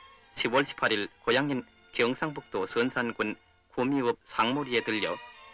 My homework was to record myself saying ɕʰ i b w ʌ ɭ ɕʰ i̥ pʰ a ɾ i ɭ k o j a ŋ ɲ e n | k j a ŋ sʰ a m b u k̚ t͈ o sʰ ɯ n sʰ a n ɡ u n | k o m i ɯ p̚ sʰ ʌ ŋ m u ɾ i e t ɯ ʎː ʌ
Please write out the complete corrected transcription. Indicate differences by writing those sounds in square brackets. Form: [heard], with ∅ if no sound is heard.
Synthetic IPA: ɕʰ i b w ʌ ɭ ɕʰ i̥ pʰ a ɾ i ɭ k o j a ŋ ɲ [i] n | k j [ʌ] ŋ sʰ a [ŋ] b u k̚ t͈ o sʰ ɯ n sʰ a n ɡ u n | k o m i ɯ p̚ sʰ [a] ŋ m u ɾ i e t ɯ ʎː ʌ